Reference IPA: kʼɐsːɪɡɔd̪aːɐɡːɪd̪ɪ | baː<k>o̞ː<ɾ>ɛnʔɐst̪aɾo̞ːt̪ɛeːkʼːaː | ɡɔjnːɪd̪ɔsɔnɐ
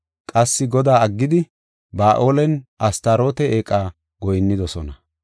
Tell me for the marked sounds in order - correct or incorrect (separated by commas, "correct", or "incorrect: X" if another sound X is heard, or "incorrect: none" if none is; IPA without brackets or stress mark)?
incorrect: ʔ, incorrect: l